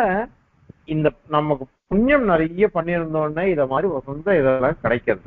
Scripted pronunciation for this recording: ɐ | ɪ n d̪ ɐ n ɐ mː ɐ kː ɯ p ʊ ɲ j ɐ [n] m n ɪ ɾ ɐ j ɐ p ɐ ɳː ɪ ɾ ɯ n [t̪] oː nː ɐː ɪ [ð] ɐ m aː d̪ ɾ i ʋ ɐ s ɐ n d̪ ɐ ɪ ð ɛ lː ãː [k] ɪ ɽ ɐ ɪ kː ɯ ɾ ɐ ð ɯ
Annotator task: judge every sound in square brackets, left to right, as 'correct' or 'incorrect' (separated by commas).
incorrect, incorrect, correct, correct